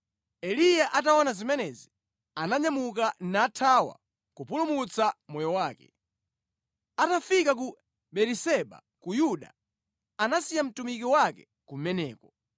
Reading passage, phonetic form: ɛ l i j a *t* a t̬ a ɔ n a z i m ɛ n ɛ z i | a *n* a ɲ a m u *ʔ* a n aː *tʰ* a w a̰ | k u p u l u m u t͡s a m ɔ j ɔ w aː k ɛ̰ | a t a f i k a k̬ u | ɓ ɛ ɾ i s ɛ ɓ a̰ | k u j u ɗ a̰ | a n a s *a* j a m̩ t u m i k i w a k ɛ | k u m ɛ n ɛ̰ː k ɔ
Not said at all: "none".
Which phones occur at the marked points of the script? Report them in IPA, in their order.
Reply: ʔ, n, k, tʰ, i

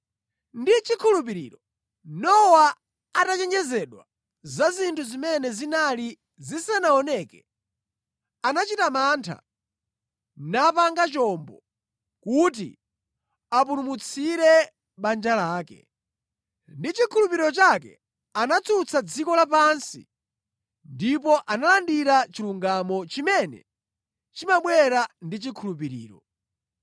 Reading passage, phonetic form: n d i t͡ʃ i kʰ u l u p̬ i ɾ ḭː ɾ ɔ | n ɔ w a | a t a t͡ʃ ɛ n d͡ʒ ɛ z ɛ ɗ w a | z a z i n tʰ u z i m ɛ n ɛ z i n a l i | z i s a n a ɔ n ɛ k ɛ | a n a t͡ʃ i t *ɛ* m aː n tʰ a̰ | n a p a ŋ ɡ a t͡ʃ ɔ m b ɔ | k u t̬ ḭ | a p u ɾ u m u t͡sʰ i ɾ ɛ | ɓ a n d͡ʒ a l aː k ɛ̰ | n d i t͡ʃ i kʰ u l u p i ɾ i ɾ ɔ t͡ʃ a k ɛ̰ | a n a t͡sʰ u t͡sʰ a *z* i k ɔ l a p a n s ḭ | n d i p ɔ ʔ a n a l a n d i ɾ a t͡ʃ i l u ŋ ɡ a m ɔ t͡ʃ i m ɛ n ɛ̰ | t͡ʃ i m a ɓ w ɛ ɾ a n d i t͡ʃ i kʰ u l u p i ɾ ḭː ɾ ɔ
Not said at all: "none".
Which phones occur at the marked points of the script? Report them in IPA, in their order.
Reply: a, d͡z

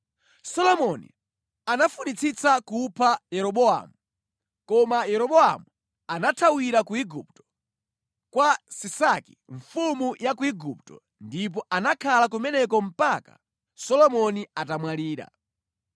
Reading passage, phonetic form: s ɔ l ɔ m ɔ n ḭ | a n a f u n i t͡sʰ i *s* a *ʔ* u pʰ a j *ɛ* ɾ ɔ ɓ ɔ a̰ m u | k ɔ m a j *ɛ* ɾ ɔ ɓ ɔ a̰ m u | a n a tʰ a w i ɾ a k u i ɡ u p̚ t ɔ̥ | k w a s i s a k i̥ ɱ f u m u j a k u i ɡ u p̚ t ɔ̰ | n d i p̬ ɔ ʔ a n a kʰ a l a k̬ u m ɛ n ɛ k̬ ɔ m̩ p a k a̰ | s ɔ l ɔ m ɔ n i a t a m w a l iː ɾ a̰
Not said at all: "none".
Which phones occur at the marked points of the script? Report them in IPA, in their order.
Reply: t͡s, k, ɛ, ɛ

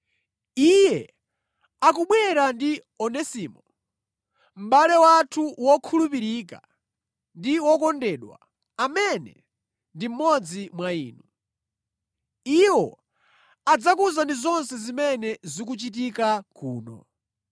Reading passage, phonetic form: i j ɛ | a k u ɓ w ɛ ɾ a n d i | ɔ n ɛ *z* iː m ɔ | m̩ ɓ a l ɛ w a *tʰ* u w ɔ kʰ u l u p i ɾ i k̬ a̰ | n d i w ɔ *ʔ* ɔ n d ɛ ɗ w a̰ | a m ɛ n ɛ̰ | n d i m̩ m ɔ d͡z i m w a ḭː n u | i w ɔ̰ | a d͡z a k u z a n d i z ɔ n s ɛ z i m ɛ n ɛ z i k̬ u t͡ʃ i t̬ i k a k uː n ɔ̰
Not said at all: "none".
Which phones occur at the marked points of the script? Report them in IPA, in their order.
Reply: s, tʰ, k

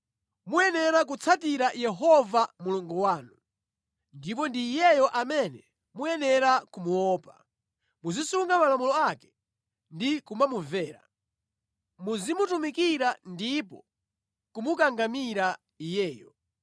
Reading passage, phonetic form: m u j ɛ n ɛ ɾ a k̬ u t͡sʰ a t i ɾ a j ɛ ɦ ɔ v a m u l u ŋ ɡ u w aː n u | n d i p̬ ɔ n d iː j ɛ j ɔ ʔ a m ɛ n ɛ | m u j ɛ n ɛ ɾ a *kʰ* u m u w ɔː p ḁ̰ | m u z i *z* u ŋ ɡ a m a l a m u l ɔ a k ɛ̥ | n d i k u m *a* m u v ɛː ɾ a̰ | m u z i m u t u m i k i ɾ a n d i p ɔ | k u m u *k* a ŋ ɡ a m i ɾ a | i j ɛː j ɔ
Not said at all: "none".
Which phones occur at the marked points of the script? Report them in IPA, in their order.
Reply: k, s, a, k

